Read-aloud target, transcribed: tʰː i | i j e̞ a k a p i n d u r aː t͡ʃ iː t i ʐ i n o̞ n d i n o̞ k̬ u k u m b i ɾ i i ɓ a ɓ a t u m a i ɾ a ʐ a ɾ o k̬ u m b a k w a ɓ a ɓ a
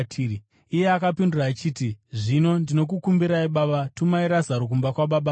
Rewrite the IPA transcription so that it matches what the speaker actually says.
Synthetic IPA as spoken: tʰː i | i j e̞ a k a p i n d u r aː t͡ʃ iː t i ʐ i n o̞ n d i n o̞ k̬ u k u m b i ɾ a i ɓ a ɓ a t u m a i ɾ a z a ɾ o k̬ u m b a k w a ɓ a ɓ a